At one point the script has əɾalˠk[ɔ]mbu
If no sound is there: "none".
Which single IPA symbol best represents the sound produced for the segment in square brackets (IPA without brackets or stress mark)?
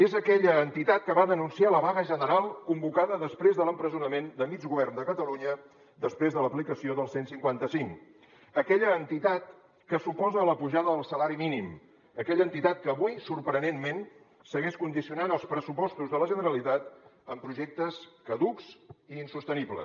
u